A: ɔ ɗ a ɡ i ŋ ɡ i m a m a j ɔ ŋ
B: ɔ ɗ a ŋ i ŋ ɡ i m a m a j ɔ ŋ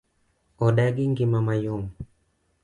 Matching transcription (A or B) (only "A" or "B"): A